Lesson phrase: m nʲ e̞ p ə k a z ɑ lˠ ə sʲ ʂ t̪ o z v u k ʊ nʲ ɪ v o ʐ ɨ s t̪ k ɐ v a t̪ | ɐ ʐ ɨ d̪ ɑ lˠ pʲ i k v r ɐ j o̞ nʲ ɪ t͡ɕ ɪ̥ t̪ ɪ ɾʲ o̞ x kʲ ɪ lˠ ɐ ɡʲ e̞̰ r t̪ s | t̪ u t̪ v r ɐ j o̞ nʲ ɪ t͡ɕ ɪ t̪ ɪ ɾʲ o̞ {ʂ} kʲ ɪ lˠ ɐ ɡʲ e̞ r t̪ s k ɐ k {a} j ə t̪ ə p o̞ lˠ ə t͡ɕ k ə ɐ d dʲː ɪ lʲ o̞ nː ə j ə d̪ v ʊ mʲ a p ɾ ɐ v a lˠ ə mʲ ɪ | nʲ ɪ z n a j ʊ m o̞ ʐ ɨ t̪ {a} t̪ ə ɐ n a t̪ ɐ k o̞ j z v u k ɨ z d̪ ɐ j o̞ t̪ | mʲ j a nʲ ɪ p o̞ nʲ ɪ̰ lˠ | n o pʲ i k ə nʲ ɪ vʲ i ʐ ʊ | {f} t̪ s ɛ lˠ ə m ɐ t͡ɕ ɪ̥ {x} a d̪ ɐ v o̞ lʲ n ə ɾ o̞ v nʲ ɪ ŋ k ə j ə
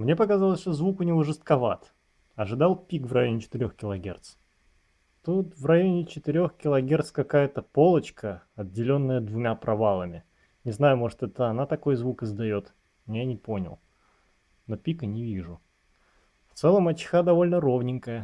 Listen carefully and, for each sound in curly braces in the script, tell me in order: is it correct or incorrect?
incorrect: x, correct, incorrect: ɛ, correct, correct

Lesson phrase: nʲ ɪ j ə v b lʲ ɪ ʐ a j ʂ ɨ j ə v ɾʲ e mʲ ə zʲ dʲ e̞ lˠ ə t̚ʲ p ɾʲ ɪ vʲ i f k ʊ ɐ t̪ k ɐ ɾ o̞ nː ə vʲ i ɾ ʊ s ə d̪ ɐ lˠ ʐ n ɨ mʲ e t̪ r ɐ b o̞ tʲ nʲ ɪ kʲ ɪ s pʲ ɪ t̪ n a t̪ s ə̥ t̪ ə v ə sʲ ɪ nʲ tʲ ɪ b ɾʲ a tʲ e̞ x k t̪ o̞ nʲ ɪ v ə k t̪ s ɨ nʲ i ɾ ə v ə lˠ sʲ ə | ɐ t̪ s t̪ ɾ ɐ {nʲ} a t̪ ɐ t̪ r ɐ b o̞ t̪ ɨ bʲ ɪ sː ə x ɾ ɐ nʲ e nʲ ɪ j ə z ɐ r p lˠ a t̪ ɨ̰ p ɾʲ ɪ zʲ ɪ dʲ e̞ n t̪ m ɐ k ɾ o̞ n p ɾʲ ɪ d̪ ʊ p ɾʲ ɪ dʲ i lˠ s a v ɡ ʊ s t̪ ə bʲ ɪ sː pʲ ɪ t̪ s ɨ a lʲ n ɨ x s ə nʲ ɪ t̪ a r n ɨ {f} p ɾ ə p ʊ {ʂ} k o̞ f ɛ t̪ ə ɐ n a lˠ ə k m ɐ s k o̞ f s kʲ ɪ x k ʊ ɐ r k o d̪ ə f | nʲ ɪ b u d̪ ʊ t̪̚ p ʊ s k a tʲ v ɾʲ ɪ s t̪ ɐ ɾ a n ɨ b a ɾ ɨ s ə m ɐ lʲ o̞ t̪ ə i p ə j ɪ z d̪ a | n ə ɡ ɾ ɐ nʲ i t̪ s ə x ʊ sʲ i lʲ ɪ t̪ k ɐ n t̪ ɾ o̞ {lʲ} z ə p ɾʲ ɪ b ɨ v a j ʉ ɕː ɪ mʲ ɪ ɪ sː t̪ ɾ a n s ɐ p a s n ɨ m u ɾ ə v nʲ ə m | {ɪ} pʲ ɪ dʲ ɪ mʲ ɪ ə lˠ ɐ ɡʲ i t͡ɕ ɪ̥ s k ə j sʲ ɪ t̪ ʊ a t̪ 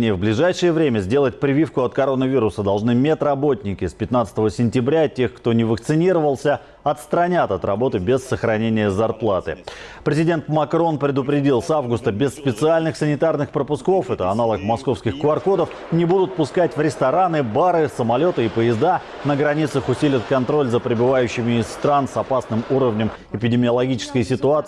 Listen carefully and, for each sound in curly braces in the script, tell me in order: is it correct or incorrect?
correct, incorrect: x, incorrect: s, correct, correct

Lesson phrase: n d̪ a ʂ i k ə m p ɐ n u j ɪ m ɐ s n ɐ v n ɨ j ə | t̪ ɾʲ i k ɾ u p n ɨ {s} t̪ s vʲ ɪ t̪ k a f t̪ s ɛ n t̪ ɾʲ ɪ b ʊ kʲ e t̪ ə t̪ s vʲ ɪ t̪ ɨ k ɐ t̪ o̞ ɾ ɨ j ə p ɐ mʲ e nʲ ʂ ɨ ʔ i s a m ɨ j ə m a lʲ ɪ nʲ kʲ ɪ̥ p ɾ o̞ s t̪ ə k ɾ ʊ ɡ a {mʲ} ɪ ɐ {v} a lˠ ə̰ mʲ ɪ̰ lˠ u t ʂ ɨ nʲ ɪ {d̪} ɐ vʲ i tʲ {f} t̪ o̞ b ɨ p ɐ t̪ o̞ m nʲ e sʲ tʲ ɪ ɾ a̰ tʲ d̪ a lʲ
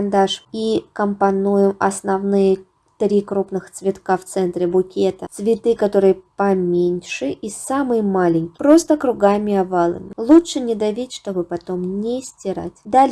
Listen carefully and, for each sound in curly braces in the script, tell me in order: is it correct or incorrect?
incorrect: x, correct, correct, correct, incorrect: ʂ

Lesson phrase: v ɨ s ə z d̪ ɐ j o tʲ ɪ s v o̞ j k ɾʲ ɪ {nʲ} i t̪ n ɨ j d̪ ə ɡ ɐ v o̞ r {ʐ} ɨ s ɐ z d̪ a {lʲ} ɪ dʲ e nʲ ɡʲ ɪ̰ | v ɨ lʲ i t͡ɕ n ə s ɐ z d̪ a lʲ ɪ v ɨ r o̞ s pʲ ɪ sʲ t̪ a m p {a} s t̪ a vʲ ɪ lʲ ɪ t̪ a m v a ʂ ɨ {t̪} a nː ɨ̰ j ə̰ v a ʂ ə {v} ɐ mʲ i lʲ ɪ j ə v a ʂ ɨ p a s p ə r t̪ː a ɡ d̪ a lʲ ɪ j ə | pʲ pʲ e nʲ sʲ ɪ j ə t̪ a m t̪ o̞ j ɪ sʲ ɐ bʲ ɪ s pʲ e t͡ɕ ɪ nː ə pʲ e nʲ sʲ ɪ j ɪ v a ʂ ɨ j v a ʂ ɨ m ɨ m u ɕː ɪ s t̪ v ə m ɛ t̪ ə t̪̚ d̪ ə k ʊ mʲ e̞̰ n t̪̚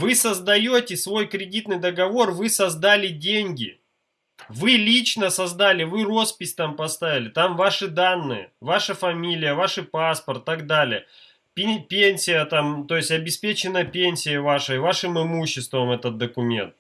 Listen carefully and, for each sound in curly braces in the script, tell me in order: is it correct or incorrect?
incorrect: dʲ, incorrect: v, correct, incorrect: ɐ, incorrect: d̪, incorrect: f

